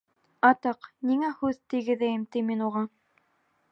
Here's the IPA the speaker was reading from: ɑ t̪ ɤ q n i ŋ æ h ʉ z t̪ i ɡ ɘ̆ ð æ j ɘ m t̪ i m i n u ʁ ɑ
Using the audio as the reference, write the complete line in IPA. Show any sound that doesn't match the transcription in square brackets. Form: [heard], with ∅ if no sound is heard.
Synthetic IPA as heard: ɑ t̪ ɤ q n i ŋ æ h ʉ [ð] t̪ i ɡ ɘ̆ ð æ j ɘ m t̪ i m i n u ʁ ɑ